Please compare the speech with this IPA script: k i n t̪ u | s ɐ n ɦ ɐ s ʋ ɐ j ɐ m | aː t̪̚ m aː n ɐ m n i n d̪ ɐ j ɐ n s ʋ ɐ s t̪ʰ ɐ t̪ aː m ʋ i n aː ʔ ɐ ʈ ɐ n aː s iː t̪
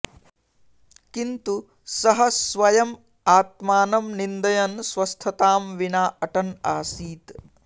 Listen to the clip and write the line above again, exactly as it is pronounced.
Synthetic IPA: k i n t̪ u | s ɐ ɦ ɐ s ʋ ɐ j ɐ m | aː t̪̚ m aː n ɐ m n i n d̪ ɐ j ɐ n s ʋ ɐ s t̪ʰ ɐ t̪ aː m ʋ i n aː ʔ ɐ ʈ ɐ n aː s iː t̪

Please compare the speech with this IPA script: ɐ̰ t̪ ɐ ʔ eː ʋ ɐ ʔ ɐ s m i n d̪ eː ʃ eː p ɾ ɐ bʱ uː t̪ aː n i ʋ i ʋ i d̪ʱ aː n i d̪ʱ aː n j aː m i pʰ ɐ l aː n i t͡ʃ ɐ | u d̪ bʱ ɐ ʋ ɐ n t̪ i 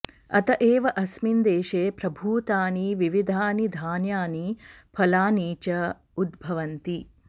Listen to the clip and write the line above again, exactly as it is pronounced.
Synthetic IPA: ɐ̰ t̪ ɐ ʔ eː ʋ ɐ ʔ ɐ s m i n d̪ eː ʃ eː p ɾ ɐ bʱ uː t̪ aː n i ʋ i ʋ i d̪ʱ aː n i d̪ʱ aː n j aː n i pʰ ɐ l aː n iː t͡ʃ ɐ | u d̪ bʱ ɐ ʋ ɐ n t̪ i

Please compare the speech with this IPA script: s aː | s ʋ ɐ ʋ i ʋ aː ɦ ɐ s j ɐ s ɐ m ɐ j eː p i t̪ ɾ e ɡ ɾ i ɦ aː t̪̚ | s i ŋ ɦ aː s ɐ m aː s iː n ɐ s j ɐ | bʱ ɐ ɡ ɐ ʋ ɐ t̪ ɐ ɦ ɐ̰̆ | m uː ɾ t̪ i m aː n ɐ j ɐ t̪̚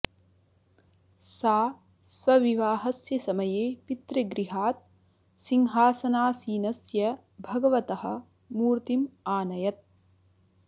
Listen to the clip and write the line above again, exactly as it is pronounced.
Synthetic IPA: s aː | s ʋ ɐ ʋ i ʋ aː ɦ ɐ s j ɐ s ɐ m ɐ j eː p i t̪ ɾ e ɡ ɾ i ɦ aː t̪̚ | s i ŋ ɦ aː s ɐ n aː s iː n ɐ s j ɐ | bʱ ɐ ɡ ɐ ʋ ɐ t̪ ɐ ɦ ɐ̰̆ | m uː ɾ t̪ i m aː n ɐ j ɐ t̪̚

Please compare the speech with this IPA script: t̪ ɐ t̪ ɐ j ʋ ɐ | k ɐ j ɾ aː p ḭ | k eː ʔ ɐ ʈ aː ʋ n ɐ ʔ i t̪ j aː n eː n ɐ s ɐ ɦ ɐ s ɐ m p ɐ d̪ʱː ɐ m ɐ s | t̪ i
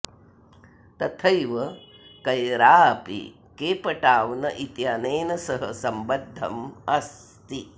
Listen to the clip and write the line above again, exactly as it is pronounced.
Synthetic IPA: t̪ ɐ t̪ʰ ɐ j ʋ ɐ | k ɐ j ɾ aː p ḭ | k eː p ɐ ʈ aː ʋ n ɐ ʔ i t̪ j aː n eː n ɐ s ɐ ɦ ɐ s ɐ m b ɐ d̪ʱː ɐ m ɐ s | t̪ i

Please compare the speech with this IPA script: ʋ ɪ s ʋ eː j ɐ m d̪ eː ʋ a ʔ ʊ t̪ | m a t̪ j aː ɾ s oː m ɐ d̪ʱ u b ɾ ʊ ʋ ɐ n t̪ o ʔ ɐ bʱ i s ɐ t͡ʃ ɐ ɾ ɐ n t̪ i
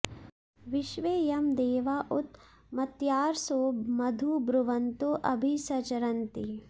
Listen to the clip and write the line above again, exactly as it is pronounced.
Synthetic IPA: ʋ ɪ ʃ ʋ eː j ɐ m d̪ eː ʋ a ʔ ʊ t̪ | m ɐ t̪ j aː ɾ s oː m ɐ d̪ʱ u b ɾ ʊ ʋ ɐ n t̪ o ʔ ɐ bʱ i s ɐ t͡ʃ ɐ ɾ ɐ n t̪ i

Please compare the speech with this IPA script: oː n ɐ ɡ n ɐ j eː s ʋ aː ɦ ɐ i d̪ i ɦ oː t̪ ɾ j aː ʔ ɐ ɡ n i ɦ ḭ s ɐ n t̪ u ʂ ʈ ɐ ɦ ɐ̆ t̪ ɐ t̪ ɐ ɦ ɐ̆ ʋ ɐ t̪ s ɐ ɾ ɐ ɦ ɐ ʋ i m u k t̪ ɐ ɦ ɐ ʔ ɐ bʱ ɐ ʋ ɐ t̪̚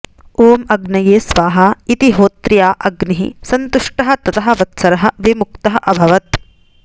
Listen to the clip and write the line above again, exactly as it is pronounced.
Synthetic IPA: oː m ɐ ɡ n ɐ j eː s ʋ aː ɦ ɐ i t̪ i ɦ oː t̪ ɾ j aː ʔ ɐ ɡ n i ɦ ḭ s ɐ n t̪ u ʂ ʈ ɐ ɦ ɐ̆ t̪ ɐ t̪ ɐ ɦ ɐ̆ ʋ ɐ t̪ s ɐ ɾ ɐ ɦ ɐ ʋ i m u k t̪ ɐ ɦ ɐ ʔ ɐ bʱ ɐ ʋ ɐ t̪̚

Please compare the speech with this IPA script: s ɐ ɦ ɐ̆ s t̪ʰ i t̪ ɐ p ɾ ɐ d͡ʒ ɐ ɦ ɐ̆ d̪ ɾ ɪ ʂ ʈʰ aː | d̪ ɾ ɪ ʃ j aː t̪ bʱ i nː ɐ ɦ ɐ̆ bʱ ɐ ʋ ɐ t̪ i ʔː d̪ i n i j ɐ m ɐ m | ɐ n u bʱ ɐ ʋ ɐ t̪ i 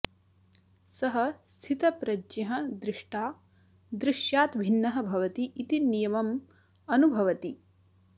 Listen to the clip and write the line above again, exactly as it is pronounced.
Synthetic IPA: s ɐ ɦ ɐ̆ s t̪ʰ i t̪ ɐ p ɾ ɐ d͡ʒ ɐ ɦ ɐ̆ d̪ ɾ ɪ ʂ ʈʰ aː | d̪ ɾ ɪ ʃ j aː t̪ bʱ i nː ɐ ɦ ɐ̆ bʱ ɐ ʋ ɐ t̪ i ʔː t̪ i n i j ɐ m ɐ m | ɐ n u bʱ ɐ ʋ ɐ t̪ i

